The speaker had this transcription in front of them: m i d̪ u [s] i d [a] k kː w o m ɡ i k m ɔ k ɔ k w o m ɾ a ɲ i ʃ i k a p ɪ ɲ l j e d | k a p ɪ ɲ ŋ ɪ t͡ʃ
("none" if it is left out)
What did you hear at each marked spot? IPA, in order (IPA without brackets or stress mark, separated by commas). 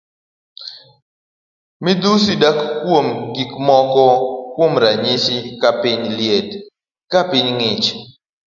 s, a